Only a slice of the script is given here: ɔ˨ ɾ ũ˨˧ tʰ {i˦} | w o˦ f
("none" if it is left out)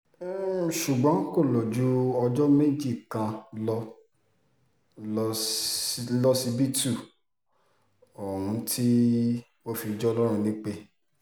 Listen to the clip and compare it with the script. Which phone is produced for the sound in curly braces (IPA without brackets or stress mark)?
i˦